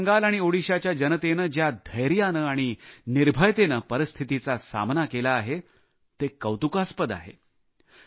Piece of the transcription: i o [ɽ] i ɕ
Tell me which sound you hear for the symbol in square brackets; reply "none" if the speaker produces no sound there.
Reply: ɽ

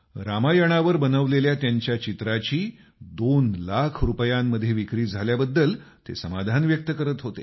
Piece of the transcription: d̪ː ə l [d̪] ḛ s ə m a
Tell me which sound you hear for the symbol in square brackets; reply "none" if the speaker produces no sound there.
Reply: t̪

